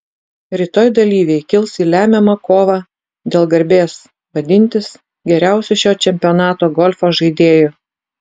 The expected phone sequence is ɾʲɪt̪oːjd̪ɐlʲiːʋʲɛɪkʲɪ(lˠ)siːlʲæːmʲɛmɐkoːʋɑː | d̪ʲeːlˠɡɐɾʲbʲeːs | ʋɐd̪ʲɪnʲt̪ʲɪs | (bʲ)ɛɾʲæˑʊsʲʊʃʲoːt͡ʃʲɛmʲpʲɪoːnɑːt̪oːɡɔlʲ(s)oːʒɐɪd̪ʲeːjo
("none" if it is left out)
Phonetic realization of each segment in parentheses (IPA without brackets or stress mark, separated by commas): lˠ, ɡʲ, f